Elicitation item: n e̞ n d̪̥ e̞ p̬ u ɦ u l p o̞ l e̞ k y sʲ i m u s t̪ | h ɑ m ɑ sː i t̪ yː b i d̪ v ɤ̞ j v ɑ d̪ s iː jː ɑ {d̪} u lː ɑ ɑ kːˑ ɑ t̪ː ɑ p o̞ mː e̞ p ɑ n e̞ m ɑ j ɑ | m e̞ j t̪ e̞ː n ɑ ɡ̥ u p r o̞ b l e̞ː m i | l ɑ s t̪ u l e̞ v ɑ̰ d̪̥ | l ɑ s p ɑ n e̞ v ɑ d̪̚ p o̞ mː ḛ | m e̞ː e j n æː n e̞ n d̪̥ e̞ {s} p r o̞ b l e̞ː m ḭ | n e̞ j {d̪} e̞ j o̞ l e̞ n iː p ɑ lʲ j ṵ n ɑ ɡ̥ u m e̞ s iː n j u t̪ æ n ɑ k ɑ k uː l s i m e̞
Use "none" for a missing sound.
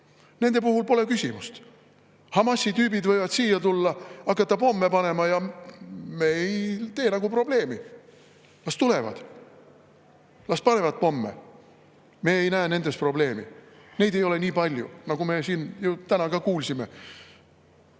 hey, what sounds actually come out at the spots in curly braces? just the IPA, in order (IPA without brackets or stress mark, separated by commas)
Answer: t̪, s, d̪